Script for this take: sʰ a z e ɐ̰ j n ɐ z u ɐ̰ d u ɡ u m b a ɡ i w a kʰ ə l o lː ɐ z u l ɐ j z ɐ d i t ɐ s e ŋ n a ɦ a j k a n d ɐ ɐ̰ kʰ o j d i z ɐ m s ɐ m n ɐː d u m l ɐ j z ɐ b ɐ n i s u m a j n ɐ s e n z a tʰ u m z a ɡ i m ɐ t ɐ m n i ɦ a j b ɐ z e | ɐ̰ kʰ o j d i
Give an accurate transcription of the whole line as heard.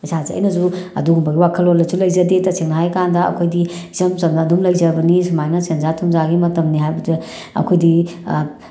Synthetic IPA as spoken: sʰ a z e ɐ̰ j n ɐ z u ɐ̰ d u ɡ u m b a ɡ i w a kʰ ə l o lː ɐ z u l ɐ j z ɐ d e t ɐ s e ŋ n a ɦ a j k a n d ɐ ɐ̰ kʰ o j d i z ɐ m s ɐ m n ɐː d u m l ɐ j z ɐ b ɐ n i s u m a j n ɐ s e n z a tʰ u m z a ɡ i m ɐ t ɐ m n i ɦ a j b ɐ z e | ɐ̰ kʰ o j d i